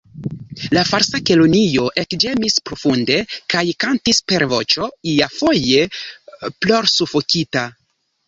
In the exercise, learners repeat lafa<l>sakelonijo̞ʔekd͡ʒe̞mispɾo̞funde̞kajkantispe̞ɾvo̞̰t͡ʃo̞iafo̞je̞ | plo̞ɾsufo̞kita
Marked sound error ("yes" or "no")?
yes